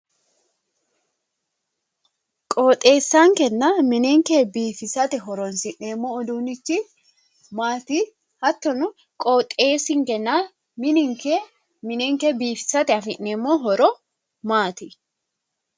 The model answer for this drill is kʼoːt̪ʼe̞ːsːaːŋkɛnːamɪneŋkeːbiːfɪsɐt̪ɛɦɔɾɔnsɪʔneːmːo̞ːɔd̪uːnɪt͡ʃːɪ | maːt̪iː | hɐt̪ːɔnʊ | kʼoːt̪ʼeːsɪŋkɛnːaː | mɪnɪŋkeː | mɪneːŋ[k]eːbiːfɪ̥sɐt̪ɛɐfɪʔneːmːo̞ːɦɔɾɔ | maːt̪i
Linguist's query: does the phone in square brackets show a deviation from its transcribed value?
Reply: no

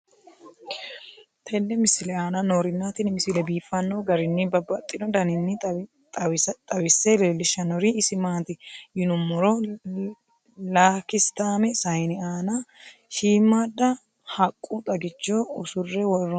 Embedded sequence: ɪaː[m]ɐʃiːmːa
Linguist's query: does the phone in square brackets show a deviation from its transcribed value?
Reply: yes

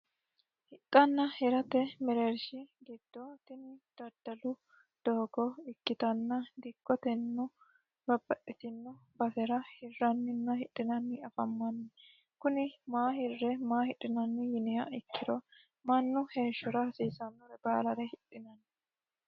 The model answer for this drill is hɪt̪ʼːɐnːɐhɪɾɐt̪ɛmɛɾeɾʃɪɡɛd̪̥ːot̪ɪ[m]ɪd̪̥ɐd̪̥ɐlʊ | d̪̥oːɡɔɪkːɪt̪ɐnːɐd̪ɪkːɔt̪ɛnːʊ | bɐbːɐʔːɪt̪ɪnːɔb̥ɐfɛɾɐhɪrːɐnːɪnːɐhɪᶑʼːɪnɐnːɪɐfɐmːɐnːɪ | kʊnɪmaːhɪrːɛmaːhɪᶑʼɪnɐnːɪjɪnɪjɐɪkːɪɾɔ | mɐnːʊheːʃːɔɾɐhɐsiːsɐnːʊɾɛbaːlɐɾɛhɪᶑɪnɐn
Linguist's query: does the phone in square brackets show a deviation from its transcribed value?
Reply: yes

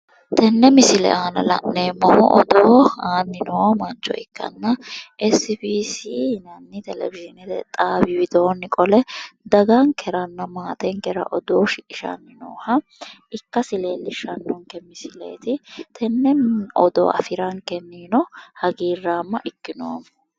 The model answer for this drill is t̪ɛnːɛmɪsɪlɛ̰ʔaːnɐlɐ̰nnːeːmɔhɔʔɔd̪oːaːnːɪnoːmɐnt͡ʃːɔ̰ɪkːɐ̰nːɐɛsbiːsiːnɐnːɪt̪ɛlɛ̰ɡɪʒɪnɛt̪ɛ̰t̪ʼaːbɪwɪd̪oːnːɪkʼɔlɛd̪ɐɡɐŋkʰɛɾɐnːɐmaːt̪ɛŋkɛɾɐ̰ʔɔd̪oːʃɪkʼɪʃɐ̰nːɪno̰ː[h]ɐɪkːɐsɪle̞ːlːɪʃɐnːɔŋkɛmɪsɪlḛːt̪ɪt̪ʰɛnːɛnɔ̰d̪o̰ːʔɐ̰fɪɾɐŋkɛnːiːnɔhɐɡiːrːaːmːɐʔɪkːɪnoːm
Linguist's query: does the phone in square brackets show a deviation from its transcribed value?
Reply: no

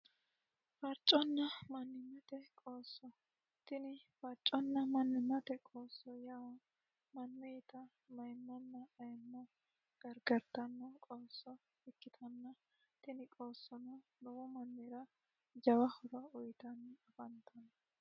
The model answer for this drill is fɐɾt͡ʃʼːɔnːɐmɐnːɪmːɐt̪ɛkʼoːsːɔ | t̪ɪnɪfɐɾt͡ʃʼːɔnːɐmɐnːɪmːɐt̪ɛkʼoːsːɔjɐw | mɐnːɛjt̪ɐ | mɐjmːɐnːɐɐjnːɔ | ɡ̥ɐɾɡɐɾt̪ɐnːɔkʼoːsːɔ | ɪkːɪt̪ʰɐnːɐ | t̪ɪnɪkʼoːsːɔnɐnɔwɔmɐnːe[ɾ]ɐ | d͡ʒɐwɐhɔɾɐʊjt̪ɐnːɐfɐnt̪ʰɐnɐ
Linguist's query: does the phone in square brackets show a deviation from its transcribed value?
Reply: no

